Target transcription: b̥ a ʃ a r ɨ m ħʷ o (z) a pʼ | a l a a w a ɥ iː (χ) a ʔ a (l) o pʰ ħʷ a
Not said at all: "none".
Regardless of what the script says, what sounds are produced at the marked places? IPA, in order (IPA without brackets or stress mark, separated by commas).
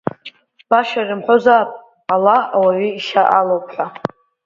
z, ʃ, l